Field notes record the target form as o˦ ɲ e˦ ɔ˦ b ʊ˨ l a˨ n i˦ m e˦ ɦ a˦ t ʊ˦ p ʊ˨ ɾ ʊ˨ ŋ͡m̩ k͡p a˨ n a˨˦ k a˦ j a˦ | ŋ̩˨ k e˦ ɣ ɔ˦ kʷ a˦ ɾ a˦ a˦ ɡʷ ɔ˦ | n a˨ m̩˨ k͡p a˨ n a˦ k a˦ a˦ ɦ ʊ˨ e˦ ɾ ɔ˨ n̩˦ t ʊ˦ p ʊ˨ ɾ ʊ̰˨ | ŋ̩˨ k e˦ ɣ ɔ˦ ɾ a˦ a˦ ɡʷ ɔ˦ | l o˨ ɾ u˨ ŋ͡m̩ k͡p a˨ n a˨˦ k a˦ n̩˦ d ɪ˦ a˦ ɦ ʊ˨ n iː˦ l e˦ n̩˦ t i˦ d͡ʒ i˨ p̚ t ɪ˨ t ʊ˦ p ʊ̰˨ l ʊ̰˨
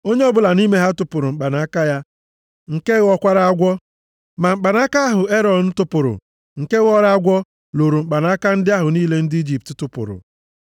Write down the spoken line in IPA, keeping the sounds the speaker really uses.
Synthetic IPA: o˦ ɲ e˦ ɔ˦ b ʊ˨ l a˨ n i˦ m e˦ ɦ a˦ t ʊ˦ p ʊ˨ ɾ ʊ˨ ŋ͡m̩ k͡p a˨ n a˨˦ k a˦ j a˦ | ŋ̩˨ k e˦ ɣ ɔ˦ kʷ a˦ ɾ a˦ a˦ ɡʷ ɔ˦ | m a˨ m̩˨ k͡p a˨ n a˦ k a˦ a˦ ɦ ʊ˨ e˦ ɾ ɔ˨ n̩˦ t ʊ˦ p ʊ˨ ɾ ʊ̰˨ | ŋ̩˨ k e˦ ɣ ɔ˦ ɾ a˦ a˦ ɡʷ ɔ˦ | l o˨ ɾ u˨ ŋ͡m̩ k͡p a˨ n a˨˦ k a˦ n̩˦ d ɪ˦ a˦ ɦ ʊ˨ n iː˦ l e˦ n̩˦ d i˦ d͡ʒ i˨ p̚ t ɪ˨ t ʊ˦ p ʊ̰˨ ɾ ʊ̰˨